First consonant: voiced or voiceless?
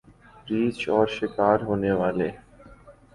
voiced